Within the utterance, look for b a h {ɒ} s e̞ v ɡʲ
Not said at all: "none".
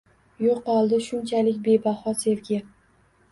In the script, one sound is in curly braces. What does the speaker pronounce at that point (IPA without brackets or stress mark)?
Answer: ɒ